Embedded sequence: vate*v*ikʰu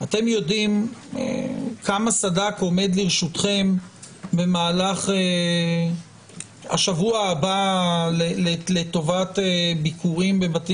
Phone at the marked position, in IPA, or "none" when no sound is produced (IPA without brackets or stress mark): b